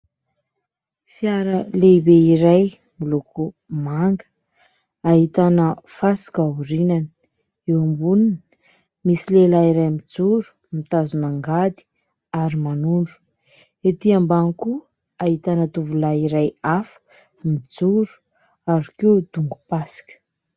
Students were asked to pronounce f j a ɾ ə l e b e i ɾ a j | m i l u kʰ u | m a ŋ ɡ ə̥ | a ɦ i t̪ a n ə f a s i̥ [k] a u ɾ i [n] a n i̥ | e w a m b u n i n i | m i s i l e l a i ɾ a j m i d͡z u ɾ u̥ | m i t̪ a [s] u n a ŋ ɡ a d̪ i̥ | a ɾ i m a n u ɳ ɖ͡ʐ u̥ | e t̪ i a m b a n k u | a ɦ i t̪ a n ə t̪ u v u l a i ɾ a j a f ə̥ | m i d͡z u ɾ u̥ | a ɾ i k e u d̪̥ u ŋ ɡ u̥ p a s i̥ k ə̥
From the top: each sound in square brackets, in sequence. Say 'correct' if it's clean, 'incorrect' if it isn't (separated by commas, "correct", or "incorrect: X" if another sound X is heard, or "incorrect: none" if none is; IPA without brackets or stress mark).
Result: correct, correct, incorrect: z